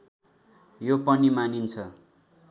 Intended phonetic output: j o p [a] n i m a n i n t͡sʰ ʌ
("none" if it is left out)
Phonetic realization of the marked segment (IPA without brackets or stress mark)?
ʌ